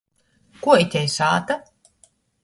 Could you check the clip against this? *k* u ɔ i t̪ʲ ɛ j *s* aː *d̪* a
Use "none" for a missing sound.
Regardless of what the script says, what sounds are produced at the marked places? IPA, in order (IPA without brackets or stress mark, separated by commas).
k, s, t̪